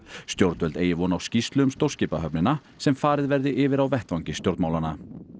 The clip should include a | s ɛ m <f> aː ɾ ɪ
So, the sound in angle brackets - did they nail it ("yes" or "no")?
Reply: yes